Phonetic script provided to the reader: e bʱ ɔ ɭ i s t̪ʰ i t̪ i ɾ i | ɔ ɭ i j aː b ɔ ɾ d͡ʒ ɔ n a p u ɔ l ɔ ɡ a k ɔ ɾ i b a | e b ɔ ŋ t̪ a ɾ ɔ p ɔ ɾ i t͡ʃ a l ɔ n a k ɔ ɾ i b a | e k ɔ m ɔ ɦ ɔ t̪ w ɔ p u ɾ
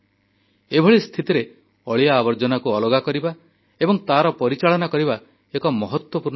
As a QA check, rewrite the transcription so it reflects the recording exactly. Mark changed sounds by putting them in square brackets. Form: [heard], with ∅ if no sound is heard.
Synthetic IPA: e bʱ ɔ ɭ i s t̪ʰ i t̪ i ɾ [e] | ɔ ɭ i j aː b ɔ ɾ d͡ʒ ɔ n a [k] u ɔ l ɔ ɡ a k ɔ ɾ i b a | e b ɔ ŋ t̪ a ɾ ɔ p ɔ ɾ i t͡ʃ a [ɭ] ɔ n a k ɔ ɾ i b a | e k ɔ m ɔ ɦ ɔ t̪ w ɔ p u ɾ